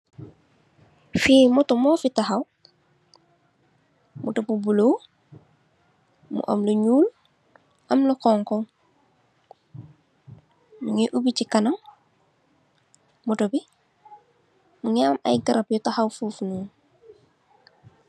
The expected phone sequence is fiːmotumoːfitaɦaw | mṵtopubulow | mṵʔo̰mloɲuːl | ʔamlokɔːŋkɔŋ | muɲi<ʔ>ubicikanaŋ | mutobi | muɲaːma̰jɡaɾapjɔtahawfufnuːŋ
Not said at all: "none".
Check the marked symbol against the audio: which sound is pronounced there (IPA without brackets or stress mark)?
ʔ